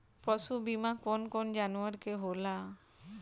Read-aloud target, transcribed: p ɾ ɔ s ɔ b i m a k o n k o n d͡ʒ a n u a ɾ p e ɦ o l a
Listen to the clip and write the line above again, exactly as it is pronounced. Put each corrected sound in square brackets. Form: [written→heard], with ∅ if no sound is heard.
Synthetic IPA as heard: p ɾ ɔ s [ɔ→u] b i m a k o n k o n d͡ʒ a n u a ɾ [p→k] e ɦ o l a

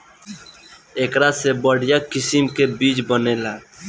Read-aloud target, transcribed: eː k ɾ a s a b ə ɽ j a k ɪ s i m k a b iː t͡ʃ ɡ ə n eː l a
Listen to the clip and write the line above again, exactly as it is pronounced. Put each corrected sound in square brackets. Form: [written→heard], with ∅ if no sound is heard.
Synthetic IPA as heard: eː k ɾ a s [a→e] b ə ɽ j a k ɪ s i m k [a→e] b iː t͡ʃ [ɡ→b] ə n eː l a

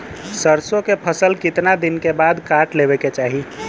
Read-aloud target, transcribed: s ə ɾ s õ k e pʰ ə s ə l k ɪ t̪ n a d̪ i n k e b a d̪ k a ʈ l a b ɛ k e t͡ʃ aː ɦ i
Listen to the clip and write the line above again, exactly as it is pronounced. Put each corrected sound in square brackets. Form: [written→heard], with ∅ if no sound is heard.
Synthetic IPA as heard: s ə ɾ s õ k e pʰ ə s ə l k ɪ t̪ n a d̪ i n k e b a d̪ k a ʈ l [a→e] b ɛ k e t͡ʃ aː ɦ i

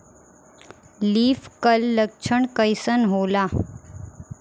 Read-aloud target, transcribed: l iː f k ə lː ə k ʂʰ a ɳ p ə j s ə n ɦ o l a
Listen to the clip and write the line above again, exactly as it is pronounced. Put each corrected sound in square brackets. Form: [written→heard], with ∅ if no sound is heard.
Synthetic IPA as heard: l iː f k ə lː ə k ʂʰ [a→ə] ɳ [p→k] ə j s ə n ɦ o l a

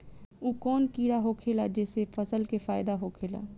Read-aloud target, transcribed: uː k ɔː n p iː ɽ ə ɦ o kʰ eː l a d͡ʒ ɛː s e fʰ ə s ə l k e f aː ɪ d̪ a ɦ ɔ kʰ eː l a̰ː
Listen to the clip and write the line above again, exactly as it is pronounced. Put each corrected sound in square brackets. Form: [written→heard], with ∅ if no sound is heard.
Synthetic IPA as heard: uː k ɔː n [p→k] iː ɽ [ə→a] ɦ o kʰ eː l a d͡ʒ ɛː s e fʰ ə s ə l k e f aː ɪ d̪ a ɦ [ɔ→o] kʰ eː l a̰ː

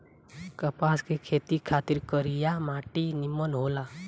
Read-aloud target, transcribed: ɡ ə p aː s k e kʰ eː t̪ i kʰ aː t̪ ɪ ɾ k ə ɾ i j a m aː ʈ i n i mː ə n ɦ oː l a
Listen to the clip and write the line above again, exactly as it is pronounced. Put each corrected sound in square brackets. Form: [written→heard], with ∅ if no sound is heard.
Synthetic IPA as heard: [ɡ→k] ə p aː s k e kʰ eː t̪ i kʰ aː t̪ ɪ ɾ k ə ɾ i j a m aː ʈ i n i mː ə n ɦ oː l a

